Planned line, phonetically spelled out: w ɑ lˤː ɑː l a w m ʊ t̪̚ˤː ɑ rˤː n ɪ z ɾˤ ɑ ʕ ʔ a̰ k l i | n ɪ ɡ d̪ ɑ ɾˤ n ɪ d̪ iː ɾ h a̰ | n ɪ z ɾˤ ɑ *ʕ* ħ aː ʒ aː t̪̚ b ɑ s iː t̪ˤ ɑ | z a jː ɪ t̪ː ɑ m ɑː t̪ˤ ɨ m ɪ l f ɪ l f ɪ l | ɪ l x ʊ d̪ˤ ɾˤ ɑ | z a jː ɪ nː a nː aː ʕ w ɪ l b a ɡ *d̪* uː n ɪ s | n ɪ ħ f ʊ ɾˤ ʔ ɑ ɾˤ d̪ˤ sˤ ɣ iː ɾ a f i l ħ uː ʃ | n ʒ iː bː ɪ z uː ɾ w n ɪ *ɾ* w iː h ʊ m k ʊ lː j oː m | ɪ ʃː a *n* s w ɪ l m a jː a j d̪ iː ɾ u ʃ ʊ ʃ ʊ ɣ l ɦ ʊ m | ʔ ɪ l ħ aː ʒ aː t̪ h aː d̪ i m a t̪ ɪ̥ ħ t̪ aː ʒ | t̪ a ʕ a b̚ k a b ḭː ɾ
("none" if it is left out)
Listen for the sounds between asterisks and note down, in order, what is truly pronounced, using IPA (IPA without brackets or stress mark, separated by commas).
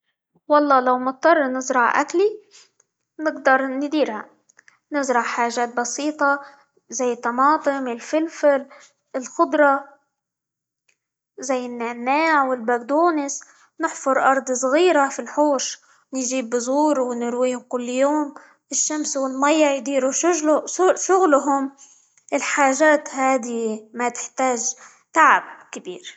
ʕ, d̪, ɾ, m